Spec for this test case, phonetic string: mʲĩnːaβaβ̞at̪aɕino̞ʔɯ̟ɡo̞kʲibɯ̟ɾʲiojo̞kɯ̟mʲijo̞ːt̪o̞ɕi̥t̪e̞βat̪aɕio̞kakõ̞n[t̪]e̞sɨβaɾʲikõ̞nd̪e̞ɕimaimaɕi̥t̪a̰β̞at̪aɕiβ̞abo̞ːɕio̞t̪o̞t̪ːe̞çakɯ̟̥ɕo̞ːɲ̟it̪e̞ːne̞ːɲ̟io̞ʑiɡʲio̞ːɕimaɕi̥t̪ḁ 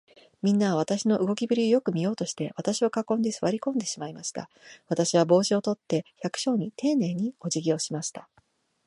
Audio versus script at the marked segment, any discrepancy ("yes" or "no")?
yes